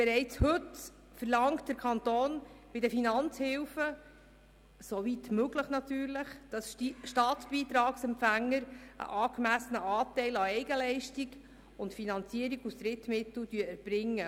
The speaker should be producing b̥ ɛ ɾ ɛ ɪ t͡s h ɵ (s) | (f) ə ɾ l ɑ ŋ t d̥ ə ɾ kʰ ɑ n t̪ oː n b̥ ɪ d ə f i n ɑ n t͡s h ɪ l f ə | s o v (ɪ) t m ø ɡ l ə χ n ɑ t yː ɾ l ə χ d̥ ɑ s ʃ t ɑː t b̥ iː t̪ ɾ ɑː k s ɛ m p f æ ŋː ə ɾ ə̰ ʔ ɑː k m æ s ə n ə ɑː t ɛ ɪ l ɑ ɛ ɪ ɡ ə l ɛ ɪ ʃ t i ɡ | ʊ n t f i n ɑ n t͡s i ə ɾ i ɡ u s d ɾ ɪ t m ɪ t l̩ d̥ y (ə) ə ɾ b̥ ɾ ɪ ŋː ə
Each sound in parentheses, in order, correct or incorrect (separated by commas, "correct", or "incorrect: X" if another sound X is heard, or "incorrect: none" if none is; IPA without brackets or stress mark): incorrect: t, correct, incorrect: i, correct